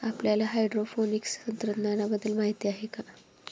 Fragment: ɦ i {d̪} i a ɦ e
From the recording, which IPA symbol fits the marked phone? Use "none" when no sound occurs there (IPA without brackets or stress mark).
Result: t̪